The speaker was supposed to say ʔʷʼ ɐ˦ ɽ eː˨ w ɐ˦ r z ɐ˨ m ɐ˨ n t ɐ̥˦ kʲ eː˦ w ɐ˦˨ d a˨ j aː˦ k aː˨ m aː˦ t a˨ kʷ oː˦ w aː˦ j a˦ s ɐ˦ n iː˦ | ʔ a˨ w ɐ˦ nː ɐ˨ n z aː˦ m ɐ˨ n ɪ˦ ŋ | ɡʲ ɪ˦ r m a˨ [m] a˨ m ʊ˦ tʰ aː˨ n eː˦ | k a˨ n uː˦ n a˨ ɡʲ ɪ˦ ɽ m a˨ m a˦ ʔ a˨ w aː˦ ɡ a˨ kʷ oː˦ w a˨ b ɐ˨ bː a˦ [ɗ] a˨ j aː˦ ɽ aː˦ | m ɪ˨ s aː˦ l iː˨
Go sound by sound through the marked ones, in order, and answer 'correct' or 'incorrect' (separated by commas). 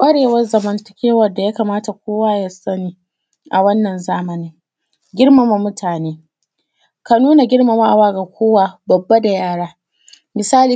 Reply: correct, incorrect